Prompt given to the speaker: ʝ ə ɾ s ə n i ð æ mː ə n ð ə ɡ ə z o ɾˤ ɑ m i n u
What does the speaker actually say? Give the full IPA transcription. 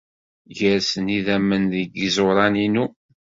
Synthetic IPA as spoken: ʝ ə ɾ s ə n i ð æ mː ə n ð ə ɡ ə z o ɾˤ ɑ n i n u

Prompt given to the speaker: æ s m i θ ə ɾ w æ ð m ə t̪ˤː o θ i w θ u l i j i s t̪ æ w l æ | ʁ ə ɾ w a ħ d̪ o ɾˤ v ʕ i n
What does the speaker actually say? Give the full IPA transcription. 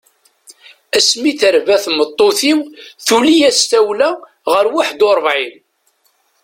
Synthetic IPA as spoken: æ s m i θ ə ɾ v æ θ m ə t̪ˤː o θ i w θ u l i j æ s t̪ æ w l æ | ʁ ə ɾ w a ħ d̪ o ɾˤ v ʕ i n

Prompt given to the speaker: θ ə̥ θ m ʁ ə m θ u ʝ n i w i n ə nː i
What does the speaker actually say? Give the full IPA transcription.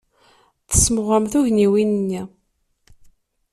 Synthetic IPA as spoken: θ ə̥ s m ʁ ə m θ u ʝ n i w i n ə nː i

